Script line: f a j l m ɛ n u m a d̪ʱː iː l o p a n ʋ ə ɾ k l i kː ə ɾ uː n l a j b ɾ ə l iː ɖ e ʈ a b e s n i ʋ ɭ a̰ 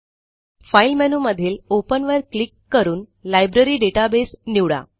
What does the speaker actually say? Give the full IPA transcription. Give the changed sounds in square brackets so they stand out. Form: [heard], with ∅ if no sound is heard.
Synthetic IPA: f a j l m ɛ n u m [ə] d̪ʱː iː l o p [ə] n ʋ ə ɾ k l i kː ə ɾ uː n l a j b ɾ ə [ɾ] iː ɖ e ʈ a b e s n i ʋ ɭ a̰

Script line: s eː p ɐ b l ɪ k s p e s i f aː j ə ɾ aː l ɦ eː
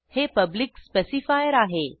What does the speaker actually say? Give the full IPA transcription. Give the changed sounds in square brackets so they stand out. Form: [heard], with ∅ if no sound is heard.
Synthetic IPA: [h] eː p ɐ b l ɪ k s p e s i f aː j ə ɾ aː [∅] ɦ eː

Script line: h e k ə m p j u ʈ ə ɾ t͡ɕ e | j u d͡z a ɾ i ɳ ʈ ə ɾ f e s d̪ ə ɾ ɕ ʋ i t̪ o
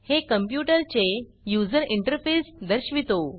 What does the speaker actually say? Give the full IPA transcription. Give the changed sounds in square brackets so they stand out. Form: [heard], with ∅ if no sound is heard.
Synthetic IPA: h e k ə m p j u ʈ ə ɾ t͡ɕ e | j u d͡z [ə] ɾ i ɳ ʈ ə ɾ f e s d̪ ə ɾ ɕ ʋ i t̪ o

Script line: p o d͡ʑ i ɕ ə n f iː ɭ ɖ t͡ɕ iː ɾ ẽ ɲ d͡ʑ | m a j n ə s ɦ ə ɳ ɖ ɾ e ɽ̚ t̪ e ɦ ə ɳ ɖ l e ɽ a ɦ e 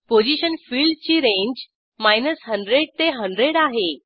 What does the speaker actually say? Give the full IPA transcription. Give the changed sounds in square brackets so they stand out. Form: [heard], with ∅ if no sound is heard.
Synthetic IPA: p o d͡ʑ i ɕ ə n f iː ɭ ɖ t͡ɕ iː ɾ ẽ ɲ d͡ʑ | m a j n ə s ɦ ə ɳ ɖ ɾ e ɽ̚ t̪ e ɦ ə ɳ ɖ [ɾ] e ɽ a ɦ e

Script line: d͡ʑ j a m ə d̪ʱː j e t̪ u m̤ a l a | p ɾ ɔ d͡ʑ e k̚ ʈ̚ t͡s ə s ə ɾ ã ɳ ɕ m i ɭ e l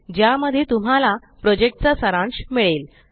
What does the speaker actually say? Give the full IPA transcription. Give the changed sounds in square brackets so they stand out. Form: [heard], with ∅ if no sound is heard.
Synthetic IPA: d͡ʑ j a m ə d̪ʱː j e t̪ u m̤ a l a | p ɾ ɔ d͡ʑ e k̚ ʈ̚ t͡s [a] s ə ɾ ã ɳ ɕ m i ɭ e l

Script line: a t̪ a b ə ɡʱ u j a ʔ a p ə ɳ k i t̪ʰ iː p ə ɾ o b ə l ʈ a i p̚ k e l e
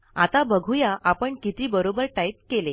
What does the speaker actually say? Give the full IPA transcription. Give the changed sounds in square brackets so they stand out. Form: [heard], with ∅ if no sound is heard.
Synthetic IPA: a t̪ a b ə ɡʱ u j a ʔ a p ə ɳ k i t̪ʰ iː [b] ə ɾ o b ə [ɾ] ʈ a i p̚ k e l e

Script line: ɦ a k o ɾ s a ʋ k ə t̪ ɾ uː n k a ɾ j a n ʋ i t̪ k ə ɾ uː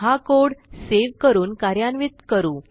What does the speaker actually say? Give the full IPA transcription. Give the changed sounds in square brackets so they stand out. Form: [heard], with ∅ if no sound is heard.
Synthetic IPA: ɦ a k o [ɽ] s [e] ʋ k ə [∅] ɾ uː n k a ɾ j a n ʋ i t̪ k ə ɾ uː

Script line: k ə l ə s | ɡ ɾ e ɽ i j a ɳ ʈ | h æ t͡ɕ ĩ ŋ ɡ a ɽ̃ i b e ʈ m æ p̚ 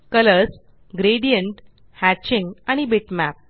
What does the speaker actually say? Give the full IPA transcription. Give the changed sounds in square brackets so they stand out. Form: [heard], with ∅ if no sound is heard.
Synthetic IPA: k ə l ə s | ɡ ɾ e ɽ i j [ə] ɳ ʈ | h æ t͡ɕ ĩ ŋ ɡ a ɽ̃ i b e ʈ m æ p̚

